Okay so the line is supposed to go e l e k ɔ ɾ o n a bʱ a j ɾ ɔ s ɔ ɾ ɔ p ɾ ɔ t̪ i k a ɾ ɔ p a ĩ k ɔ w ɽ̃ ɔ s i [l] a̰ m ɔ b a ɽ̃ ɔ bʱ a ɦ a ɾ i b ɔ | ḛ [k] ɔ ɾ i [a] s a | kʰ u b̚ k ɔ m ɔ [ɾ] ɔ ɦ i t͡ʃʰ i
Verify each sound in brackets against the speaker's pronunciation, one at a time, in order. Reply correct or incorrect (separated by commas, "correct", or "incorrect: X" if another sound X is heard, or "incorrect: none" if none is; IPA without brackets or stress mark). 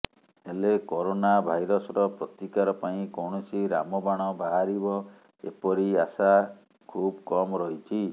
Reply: incorrect: ɾ, incorrect: p, correct, correct